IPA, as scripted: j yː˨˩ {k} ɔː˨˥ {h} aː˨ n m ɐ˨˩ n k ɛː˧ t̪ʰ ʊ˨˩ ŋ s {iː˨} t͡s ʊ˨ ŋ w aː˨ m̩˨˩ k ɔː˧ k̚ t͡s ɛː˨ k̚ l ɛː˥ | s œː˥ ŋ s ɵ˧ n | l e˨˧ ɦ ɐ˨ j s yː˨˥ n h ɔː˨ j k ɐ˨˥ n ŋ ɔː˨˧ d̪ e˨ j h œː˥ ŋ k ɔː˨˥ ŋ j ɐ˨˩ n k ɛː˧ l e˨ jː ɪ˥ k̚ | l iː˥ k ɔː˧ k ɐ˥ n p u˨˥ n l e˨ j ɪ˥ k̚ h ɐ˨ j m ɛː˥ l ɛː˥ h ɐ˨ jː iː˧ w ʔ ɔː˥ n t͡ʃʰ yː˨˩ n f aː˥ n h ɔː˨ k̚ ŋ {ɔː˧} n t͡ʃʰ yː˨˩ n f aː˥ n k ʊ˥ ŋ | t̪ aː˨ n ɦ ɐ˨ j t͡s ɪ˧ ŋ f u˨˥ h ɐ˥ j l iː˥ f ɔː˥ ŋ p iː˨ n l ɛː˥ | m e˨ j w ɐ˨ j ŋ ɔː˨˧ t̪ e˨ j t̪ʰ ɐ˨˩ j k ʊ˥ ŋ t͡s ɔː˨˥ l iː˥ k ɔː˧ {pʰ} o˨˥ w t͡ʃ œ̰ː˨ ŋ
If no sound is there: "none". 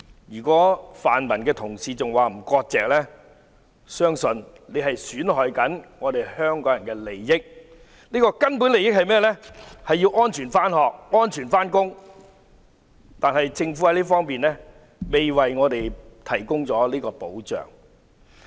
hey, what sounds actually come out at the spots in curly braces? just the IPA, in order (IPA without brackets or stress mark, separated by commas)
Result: k, f, iː˨, ɔː˥, p